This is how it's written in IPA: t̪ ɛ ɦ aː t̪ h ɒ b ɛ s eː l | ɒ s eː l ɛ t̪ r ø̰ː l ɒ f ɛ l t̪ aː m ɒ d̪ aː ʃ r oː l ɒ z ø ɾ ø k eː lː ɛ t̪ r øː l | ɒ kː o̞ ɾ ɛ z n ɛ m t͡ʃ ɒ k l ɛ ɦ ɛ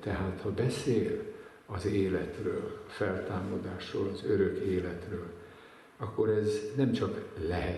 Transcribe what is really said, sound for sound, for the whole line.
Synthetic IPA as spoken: t̪ ɛ ɦ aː t̪ h ɒ b ɛ s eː l | ɒ z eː l ɛ t̪ r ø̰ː l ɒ f ɛ l t̪ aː m ɒ d̪ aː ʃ r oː l ɒ z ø ɾ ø k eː l ɛ t̪ r øː l | ɒ kː o̞ ɾ ɛ z n ɛ m t͡ʃ ɒ k l ɛ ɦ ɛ